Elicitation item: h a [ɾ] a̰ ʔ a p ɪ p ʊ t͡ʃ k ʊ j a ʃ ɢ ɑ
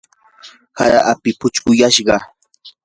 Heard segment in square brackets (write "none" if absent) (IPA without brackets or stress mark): ɾ